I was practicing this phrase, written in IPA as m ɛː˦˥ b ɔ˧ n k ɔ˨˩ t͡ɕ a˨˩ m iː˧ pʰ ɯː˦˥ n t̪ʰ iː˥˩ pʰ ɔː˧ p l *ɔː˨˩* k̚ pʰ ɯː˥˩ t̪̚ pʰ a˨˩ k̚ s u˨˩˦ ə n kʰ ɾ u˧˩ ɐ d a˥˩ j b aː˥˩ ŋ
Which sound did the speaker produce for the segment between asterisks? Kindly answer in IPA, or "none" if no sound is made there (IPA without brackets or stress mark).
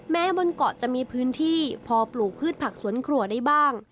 uː˨˩